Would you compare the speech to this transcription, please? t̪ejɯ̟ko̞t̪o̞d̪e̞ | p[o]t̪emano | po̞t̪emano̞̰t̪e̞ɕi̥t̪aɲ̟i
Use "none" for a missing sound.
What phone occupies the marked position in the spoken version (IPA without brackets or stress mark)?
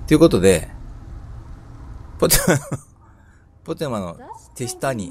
o